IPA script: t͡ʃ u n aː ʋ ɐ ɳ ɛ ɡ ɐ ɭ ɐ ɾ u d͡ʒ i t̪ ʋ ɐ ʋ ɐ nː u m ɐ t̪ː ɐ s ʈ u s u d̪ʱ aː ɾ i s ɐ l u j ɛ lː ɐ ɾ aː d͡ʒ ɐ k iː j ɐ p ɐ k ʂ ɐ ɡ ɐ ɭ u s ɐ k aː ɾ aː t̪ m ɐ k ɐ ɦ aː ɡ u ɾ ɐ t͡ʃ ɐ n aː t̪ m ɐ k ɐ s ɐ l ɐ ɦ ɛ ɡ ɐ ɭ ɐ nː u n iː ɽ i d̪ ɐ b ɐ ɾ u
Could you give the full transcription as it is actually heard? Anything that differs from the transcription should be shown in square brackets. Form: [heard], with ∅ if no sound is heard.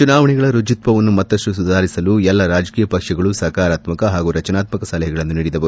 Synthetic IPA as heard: t͡ʃ u n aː ʋ ɐ ɳ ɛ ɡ ɐ ɭ ɐ ɾ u d͡ʒ i t̪ ʋ ɐ ʋ ɐ nː u m ɐ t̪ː ɐ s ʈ u s u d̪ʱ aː ɾ i s ɐ l u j ɛ lː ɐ ɾ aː d͡ʒ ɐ k iː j ɐ p ɐ k ʂ ɐ ɡ ɐ ɭ u s ɐ k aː ɾ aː t̪ m ɐ k ɐ ɦ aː ɡ u ɾ ɐ t͡ʃ ɐ n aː t̪ m ɐ k ɐ s ɐ l ɐ ɦ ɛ ɡ ɐ ɭ ɐ nː u n iː ɽ i d̪ ɐ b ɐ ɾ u